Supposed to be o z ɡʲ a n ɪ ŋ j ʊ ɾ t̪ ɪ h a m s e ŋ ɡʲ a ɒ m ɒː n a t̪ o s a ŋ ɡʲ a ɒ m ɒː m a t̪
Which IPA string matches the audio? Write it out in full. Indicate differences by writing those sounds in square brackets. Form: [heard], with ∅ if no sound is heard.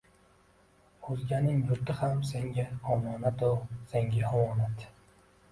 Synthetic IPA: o z ɡʲ a n ɪ ŋ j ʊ ɾ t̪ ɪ h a m s e ŋ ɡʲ a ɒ m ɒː n a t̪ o s [e] ŋ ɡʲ a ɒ m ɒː [n] a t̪